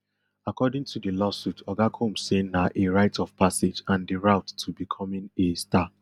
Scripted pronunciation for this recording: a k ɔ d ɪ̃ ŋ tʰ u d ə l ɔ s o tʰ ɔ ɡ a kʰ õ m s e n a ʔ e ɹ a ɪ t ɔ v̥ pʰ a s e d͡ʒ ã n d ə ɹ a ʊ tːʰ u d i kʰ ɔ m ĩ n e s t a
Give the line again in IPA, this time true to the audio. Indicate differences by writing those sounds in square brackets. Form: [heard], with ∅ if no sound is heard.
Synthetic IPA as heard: a k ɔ d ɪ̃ ŋ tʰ u d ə l ɔ s [u] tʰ ɔ ɡ a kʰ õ m s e n a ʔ e ɹ a ɪ t ɔ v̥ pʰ a s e d͡ʒ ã n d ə ɹ a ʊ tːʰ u [b] i kʰ ɔ m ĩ n e s t a